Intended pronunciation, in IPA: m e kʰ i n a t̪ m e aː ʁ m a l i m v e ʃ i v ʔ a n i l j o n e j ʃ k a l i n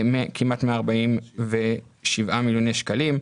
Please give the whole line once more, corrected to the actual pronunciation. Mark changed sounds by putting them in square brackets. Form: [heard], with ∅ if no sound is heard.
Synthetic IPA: m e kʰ i [m] a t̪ m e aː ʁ [b] a [∅] i m v e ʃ i v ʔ a [m] i l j o n e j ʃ k a l i [m]